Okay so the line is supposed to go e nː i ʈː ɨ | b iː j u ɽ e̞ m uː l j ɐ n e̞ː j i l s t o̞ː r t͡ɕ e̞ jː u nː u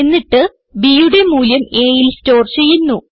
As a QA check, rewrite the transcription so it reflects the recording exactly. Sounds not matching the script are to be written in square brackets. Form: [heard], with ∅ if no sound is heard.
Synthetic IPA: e nː i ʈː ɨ | b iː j u ɽ e̞ m uː l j ɐ [m] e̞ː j i l s t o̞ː r t͡ɕ e̞ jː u nː u